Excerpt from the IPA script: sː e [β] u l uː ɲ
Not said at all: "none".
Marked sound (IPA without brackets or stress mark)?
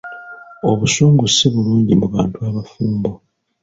β